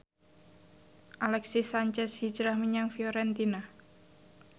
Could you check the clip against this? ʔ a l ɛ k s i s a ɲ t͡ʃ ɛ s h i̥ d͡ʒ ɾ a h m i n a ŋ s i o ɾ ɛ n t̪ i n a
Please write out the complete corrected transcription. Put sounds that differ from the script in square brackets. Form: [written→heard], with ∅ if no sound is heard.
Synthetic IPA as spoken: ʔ a l ɛ k s i s a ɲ t͡ʃ ɛ s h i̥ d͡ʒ ɾ a h m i [n→ɲ] a ŋ [s→f] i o ɾ ɛ n t̪ i n a

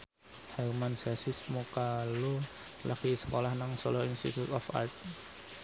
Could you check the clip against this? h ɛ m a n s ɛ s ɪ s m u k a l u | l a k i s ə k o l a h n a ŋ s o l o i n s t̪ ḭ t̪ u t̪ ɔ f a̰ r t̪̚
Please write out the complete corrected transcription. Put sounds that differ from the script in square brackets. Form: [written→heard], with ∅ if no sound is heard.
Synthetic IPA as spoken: h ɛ m a n s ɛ s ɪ s m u k a l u | l a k i s ə k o l a h n a ŋ s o l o i n s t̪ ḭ t̪ u t̪ ɔ f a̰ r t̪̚

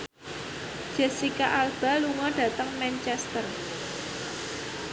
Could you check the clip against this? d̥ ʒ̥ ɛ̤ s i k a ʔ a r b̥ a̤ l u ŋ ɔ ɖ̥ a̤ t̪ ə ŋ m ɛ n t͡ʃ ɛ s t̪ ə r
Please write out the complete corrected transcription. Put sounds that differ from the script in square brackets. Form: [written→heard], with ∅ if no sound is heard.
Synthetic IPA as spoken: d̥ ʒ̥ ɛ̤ s i k a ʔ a [r→l] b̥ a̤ l u ŋ ɔ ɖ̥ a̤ t̪ ə ŋ m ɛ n t͡ʃ ɛ s t̪ ə r

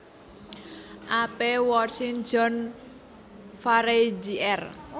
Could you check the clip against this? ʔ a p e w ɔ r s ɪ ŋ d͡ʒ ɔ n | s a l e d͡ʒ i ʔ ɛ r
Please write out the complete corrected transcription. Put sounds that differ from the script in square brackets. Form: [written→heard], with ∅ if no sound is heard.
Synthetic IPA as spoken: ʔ a p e w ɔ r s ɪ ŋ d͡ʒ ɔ n | [s→f] a [l→ɾ] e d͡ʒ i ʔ ɛ r

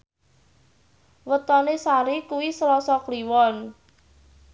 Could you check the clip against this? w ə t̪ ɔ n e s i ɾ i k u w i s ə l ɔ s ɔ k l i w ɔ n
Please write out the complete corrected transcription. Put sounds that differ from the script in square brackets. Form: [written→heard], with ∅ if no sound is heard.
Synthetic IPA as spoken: w ə t̪ ɔ n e s [i→a] ɾ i k u w i s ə l ɔ s ɔ k l i w ɔ n

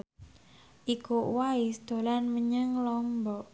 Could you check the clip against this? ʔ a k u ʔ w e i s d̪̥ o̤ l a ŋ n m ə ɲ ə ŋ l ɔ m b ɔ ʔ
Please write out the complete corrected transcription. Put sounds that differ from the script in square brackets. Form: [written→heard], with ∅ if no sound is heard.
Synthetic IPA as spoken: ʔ [a→i] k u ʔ w [e→a] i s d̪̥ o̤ l a [ŋ→∅] n m ə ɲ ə ŋ l ɔ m b ɔ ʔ

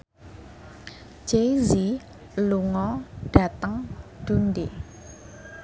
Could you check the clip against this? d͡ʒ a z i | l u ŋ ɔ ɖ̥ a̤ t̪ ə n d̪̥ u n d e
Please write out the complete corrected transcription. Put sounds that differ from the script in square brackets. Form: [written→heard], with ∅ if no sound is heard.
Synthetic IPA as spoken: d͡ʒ [a→e] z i | l u ŋ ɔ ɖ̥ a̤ t̪ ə [n→ŋ] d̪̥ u n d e

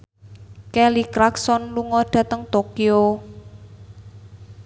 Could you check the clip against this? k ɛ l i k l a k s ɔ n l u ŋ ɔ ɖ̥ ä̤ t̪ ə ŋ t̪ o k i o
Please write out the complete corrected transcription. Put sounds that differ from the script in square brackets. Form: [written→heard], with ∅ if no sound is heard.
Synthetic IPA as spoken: k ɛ l i k [l→ɾ] a k s ɔ n l u ŋ ɔ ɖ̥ ä̤ t̪ ə ŋ t̪ o k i o

